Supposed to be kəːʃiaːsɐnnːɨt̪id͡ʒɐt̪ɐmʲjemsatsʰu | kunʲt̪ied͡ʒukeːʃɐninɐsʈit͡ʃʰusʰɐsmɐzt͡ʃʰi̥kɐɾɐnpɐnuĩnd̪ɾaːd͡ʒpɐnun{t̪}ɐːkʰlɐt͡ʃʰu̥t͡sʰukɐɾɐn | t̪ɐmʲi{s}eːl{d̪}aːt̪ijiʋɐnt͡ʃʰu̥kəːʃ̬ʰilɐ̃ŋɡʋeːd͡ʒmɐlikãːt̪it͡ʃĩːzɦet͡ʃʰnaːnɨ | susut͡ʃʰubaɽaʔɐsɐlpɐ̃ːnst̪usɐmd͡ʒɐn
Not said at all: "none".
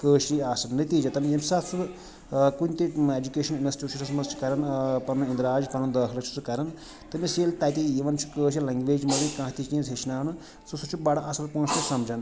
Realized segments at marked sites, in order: d̪, s, t̪

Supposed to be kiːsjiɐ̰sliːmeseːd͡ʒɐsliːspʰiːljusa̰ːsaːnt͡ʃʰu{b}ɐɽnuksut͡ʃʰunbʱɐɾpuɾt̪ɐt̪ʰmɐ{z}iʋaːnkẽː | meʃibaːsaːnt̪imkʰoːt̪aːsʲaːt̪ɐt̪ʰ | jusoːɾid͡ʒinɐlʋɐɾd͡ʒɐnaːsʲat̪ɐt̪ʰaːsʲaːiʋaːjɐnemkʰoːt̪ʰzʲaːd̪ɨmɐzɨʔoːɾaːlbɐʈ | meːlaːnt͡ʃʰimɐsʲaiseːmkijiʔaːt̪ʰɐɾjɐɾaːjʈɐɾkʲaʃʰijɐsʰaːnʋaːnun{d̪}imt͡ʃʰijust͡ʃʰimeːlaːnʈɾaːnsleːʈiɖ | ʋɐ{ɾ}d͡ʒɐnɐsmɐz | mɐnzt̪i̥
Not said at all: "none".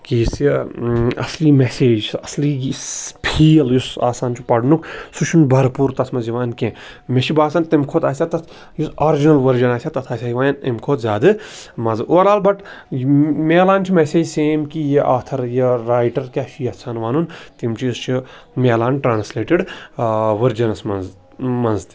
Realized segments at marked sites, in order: p, z, t̪, ɾ

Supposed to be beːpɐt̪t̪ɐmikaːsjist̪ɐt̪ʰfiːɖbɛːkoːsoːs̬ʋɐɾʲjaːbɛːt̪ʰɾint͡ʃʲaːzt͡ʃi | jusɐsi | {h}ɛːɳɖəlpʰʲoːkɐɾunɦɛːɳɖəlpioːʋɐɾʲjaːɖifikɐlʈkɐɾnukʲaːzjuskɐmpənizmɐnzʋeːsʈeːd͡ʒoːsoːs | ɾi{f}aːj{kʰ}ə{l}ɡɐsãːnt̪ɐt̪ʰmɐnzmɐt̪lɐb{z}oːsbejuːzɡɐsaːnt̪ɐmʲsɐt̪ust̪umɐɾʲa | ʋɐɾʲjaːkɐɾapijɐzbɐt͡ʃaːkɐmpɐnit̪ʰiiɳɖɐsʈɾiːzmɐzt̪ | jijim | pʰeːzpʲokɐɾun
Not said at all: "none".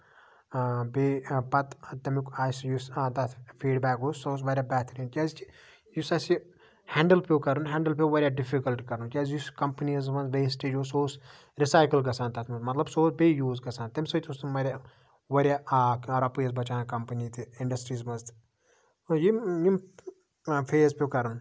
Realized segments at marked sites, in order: h, s, k, l, s

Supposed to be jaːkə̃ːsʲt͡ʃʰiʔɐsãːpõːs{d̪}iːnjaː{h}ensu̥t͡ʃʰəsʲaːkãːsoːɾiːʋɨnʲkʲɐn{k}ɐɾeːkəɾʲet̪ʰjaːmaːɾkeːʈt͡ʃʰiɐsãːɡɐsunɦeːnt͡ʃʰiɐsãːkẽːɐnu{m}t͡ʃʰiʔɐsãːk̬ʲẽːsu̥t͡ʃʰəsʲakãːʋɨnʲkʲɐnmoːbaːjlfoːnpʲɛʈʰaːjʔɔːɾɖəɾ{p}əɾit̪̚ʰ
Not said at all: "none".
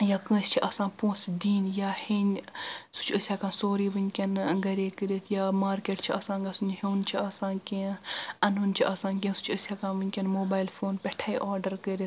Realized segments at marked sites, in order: d̪, h, ɡ, n, k

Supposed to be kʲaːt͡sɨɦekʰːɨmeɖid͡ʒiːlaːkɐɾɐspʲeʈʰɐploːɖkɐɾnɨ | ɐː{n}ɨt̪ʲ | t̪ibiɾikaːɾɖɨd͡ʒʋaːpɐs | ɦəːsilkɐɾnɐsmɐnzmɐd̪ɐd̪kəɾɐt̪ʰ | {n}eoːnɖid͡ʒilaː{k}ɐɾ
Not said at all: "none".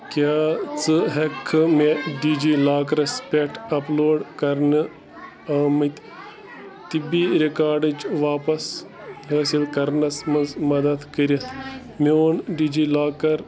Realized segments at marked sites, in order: m, m, k

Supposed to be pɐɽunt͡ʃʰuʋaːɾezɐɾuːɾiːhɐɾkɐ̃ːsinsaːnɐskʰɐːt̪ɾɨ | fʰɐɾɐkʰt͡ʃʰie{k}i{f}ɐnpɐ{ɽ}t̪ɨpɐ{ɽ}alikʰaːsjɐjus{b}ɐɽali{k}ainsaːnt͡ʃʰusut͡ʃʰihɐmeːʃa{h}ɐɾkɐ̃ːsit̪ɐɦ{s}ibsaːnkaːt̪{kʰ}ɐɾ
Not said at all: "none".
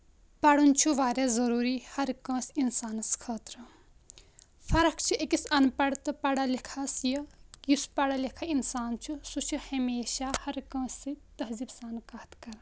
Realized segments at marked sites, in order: k, s, ɽ, ɽ, p, kʰ, h, z, k

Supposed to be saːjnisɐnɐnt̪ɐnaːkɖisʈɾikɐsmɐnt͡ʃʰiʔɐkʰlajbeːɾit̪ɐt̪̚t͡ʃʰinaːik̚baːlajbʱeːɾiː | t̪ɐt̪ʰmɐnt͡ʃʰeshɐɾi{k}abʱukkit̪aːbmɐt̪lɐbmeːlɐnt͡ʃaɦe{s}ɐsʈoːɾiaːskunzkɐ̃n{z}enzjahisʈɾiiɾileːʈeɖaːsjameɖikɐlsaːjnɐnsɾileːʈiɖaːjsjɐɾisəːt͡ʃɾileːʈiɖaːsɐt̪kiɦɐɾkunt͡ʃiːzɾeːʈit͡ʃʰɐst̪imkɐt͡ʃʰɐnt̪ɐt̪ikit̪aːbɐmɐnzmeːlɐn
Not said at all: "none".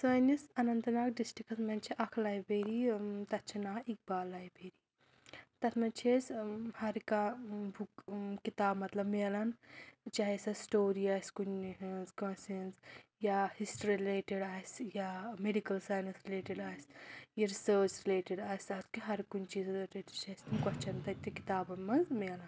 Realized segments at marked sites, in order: k, s, s

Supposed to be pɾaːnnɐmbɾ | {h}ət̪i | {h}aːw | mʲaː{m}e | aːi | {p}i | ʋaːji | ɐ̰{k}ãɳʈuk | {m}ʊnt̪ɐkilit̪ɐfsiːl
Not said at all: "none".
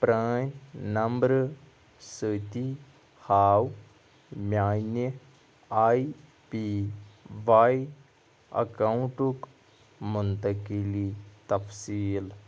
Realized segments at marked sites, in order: s, h, n, p, k, m

